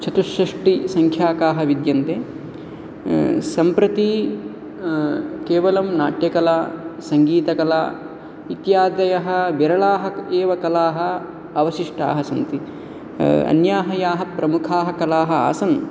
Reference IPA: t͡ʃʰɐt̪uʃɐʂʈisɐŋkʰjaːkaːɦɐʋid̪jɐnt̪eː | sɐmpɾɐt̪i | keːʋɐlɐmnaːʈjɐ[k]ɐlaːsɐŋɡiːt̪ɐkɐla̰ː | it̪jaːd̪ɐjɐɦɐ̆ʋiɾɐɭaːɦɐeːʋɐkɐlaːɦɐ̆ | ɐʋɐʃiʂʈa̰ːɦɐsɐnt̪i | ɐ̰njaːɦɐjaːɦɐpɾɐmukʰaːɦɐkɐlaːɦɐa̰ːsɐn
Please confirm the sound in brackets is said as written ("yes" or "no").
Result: yes